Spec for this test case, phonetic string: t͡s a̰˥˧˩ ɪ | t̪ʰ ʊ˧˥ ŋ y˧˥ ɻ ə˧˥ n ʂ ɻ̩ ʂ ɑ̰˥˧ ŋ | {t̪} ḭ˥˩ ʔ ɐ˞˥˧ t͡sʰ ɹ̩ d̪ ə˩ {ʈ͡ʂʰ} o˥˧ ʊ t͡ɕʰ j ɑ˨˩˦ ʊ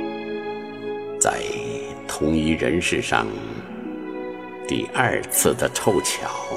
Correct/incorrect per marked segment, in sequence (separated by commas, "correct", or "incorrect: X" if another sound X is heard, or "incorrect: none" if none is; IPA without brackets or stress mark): correct, correct